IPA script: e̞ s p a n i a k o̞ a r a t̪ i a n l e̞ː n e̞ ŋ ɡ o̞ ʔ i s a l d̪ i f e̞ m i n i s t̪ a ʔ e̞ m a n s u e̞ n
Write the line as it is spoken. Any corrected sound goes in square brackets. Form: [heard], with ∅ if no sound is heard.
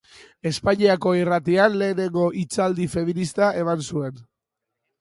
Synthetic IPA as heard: e̞ s p a [ɲ] i a k o̞ [i] r a t̪ i a n l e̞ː n e̞ ŋ ɡ o̞ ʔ i [t͡s] a l d̪ i f e̞ m i n i s t̪ a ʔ e̞ m a n s u e̞ n